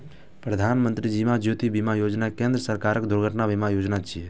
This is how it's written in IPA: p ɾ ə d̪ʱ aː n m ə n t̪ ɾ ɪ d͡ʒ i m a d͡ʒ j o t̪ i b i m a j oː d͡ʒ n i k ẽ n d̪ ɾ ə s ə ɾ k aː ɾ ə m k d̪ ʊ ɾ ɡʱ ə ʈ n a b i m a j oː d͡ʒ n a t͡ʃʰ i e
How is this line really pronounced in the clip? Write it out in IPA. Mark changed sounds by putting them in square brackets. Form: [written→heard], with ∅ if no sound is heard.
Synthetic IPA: p ɾ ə d̪ʱ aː n m ə n t̪ ɾ [ɪ→i] d͡ʒ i m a d͡ʒ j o t̪ i b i m a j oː d͡ʒ n [i→a] k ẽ n d̪ ɾ ə s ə ɾ k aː ɾ ə [m→∅] k d̪ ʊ ɾ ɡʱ ə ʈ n a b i m a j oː d͡ʒ n a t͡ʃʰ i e